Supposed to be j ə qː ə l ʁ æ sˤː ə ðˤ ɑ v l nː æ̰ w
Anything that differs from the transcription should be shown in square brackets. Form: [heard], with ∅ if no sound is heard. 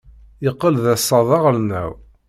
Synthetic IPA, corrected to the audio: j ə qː ə l [ð] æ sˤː [ɑ] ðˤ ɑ [ʁ] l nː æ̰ w